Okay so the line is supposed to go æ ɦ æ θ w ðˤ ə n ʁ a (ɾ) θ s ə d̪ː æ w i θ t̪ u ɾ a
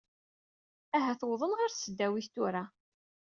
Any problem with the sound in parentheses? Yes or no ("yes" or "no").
no